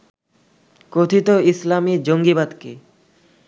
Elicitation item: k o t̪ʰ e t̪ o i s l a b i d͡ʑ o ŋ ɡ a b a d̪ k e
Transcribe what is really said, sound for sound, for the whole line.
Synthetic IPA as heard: k o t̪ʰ i t̪ o i s l a m i d͡ʑ o ŋ ɡ i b a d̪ k e